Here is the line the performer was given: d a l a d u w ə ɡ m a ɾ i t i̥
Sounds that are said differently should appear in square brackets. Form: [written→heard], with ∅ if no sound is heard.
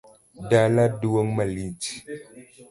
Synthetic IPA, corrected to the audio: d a l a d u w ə [ɡ→ŋ] m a [ɾ→l] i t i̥